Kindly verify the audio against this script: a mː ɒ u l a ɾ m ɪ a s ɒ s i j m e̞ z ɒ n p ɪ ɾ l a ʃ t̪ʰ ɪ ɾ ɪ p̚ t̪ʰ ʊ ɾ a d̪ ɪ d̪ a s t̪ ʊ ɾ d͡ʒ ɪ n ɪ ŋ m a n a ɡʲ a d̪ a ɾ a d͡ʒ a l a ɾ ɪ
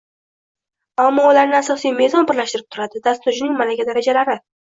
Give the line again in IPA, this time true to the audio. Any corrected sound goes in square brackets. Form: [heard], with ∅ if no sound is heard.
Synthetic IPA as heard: a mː ɒ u l a ɾ [n] ɪ a s ɒ s i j m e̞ z ɒ n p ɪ ɾ l a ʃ [t̪] ɪ ɾ ɪ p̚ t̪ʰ ʊ ɾ a d̪ ɪ d̪ a s t̪ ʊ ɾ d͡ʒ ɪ n ɪ ŋ m a n a ɡʲ a d̪ a ɾ a d͡ʒ a l a ɾ ɪ